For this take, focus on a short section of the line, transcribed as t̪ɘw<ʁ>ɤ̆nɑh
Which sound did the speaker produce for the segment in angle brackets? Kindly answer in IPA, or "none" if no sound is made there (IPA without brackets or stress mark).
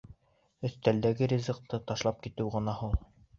ʁ